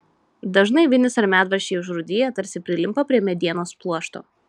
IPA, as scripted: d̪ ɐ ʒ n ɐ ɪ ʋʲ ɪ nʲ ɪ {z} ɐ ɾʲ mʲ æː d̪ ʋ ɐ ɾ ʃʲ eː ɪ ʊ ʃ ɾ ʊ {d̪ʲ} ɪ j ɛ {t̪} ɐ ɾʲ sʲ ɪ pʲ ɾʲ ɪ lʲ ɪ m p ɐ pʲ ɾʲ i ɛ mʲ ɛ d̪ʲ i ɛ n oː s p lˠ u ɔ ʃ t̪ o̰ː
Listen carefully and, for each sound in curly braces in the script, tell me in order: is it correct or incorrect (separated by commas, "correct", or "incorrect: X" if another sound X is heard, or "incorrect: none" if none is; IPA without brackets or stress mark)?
incorrect: s, correct, correct